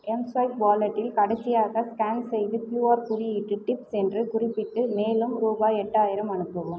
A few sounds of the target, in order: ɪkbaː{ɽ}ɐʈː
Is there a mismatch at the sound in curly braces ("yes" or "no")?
yes